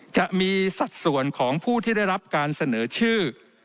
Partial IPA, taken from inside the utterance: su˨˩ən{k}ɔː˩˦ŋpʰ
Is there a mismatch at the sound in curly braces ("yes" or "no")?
yes